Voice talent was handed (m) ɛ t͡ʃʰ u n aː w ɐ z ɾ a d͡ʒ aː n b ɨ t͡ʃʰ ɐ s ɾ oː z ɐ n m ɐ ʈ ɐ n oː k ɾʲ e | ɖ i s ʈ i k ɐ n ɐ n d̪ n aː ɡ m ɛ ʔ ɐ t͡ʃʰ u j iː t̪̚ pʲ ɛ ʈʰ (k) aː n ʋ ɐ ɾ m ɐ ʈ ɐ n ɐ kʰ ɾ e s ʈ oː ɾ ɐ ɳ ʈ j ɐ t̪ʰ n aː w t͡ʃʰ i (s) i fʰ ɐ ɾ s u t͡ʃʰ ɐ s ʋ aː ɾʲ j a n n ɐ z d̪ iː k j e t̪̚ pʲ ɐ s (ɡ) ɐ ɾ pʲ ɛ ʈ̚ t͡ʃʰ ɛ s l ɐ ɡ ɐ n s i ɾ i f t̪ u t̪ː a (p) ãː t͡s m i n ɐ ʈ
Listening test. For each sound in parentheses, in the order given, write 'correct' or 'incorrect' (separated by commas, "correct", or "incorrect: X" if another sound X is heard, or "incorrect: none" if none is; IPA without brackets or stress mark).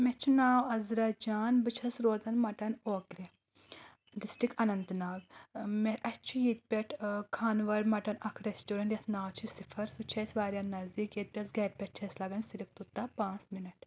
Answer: correct, incorrect: kʰ, correct, correct, correct